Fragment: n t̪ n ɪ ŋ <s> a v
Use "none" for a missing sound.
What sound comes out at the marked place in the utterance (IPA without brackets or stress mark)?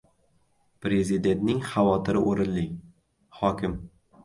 χ